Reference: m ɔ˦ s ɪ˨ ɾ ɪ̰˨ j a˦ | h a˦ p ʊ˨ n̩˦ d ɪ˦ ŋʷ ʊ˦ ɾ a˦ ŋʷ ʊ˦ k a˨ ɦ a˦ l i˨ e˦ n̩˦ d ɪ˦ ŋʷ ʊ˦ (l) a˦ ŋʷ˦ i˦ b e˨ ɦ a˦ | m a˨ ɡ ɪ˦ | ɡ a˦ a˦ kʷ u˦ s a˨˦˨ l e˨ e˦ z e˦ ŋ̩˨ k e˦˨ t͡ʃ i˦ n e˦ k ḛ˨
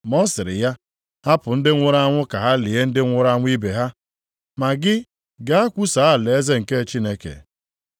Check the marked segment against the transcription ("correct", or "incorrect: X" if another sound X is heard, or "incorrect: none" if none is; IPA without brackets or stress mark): incorrect: ɾ